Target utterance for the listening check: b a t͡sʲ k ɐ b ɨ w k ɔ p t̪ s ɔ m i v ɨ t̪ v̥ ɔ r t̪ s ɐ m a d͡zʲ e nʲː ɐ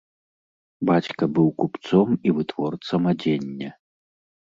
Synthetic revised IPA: b a t͡sʲ k ɐ b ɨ w k u p t̪ s ɔ m i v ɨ t̪ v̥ ɔ r t̪ s ɐ m a d͡zʲ e nʲː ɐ